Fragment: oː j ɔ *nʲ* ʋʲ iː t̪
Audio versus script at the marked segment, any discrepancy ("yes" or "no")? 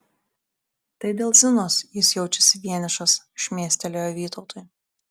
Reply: yes